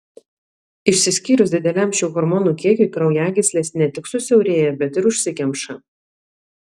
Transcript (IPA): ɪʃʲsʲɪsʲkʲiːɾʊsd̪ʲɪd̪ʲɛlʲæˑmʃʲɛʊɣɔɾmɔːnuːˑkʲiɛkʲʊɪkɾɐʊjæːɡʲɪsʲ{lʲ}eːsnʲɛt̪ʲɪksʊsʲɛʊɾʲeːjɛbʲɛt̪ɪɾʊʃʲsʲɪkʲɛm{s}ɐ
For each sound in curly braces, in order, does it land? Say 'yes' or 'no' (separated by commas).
yes, no